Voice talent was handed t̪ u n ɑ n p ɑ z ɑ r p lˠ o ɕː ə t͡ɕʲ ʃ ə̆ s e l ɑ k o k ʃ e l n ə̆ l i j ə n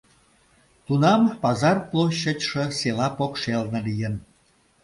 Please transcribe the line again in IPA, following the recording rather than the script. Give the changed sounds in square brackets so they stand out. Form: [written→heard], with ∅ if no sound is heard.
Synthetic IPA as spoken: t̪ u n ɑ [n→m] p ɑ z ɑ r p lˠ o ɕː ə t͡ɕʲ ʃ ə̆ s e l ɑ [k→p] o k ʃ e l n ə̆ l i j ə n

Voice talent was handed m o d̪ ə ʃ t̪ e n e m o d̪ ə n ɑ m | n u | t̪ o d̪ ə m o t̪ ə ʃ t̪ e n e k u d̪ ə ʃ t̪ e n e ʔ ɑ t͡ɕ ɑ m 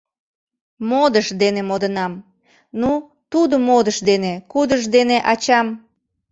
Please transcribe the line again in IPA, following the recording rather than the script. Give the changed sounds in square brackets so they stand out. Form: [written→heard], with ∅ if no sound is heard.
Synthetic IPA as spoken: m o d̪ ə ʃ [t̪→d̪] e n e m o d̪ ə n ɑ m | n u | t̪ [o→u] d̪ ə m o [t̪→d̪] ə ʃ [t̪→d̪] e n e k u d̪ ə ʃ [t̪→d̪] e n e ʔ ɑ t͡ɕ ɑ m

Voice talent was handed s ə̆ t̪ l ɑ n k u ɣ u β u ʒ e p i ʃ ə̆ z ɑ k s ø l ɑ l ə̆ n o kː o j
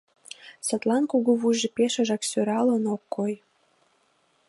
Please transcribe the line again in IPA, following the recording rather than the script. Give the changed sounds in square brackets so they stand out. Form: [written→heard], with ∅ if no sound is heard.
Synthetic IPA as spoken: s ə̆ t̪ l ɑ n k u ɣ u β u ʒ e p [i→e] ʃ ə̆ [z→ʒ] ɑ k s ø [l→ɾ] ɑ l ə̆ n o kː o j

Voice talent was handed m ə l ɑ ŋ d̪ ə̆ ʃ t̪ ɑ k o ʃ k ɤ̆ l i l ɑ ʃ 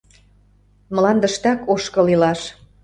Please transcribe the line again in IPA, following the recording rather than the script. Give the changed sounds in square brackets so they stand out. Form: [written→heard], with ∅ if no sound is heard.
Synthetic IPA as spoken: m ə l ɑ [ŋ→n] d̪ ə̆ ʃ t̪ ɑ k o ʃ k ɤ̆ l i l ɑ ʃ

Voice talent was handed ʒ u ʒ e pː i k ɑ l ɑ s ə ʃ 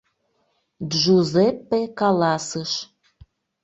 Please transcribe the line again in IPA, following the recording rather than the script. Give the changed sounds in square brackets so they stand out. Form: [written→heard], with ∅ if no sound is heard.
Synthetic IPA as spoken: ʒ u [ʒ→z] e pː [i→e] k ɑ l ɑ s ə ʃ

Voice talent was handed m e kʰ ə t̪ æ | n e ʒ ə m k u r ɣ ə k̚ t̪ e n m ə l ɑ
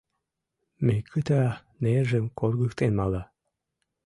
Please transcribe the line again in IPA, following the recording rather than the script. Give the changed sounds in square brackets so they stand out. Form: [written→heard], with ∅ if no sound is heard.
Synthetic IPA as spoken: m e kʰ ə t̪ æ | n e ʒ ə m k [u→o] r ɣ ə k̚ t̪ e n m [ə→ɑ] l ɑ

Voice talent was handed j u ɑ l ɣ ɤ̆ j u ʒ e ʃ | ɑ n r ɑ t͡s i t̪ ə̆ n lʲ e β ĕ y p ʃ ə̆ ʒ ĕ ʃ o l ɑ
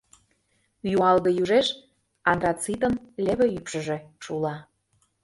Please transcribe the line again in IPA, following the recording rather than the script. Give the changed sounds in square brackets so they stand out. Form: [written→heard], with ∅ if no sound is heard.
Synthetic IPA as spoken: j u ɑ l ɣ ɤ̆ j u ʒ e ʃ | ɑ n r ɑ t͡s i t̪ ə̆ n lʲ e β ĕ y p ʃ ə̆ ʒ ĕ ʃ [o→u] l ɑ

